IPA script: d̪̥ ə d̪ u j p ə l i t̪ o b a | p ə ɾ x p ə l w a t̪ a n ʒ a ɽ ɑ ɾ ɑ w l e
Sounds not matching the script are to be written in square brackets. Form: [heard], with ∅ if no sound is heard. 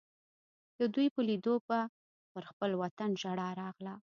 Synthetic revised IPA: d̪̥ ə d̪ u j p ə l i [d̪] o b a | p ə ɾ x p ə l w a t̪ a n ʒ a ɽ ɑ ɾ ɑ [ɣ] l [a]

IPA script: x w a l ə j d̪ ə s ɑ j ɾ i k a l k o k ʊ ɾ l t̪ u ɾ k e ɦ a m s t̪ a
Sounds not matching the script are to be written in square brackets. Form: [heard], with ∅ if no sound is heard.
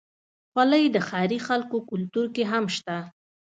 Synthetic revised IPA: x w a l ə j d̪ ə [x] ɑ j ɾ i [x] a l k o k ʊ [∅] l t̪ u ɾ k e ɦ a m [ʃ] t̪ a

